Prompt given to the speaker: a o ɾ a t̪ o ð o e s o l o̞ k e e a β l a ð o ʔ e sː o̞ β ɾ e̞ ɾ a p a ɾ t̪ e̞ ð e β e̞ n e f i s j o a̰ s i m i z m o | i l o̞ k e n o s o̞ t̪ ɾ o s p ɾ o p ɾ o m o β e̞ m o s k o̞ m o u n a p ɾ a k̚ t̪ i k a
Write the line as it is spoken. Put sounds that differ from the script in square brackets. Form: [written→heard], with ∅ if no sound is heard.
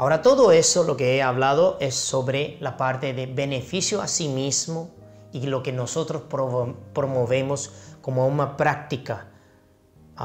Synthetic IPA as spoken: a o ɾ a t̪ o ð o e s o l o̞ k e e a β l a ð o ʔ e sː o̞ β ɾ e̞ [ɾ→l] a p a ɾ t̪ e̞ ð e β e̞ n e f i s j o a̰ s i m i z m o | i l o̞ k e n o s o̞ t̪ ɾ o s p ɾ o p ɾ o m o β e̞ m o s k o̞ m o u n a p ɾ a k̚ t̪ i k a